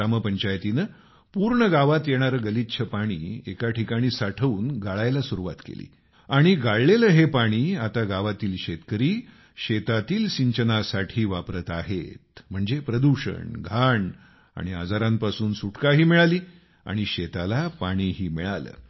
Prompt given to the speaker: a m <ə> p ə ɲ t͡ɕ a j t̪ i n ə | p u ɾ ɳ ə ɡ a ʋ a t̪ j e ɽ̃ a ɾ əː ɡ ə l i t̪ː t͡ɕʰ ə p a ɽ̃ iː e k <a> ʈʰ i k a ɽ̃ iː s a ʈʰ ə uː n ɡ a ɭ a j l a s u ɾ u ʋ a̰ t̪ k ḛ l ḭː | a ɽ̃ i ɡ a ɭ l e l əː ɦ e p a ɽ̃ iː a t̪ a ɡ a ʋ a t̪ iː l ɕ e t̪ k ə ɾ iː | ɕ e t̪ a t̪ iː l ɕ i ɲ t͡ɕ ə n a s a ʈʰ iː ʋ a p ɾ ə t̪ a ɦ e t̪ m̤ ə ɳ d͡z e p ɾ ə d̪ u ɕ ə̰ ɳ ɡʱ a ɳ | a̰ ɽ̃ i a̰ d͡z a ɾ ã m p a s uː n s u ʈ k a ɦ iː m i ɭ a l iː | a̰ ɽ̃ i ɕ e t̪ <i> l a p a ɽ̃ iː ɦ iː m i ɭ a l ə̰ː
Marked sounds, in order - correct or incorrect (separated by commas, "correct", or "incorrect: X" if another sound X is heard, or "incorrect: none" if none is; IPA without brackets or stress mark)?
correct, correct, incorrect: a